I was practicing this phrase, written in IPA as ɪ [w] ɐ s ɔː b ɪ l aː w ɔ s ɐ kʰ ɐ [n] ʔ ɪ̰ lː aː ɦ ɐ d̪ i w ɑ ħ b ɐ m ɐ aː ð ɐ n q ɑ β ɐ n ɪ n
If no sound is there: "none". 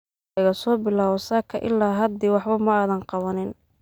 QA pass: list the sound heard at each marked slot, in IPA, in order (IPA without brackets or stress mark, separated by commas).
ɣ, none